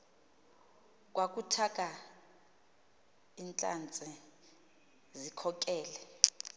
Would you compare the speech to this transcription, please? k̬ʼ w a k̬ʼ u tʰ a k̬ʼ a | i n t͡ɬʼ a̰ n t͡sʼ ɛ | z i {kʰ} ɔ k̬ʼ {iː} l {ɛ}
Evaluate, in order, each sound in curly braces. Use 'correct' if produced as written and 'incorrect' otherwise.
correct, incorrect, correct

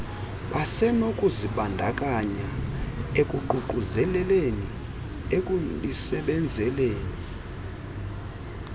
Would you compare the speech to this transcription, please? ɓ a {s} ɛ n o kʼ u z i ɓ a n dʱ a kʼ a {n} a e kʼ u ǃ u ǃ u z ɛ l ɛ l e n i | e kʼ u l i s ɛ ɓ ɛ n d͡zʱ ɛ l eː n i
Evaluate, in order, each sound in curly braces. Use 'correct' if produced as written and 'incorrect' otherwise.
correct, incorrect

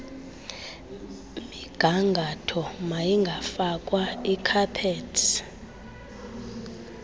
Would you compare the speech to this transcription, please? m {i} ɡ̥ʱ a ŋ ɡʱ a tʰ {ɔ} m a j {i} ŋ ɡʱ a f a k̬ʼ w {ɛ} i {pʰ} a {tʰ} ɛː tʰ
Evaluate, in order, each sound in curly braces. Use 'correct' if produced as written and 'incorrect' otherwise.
correct, correct, correct, incorrect, incorrect, incorrect

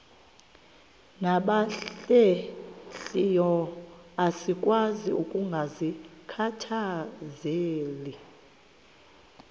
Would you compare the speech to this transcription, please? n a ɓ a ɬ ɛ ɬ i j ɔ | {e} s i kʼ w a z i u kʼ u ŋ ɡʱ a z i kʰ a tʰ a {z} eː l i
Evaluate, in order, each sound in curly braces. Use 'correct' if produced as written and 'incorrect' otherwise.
incorrect, correct

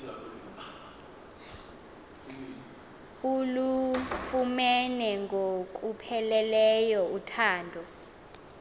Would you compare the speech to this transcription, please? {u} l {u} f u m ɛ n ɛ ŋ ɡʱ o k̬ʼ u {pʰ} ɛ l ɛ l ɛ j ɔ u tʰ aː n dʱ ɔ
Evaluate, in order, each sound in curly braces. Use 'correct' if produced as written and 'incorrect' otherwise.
correct, correct, correct

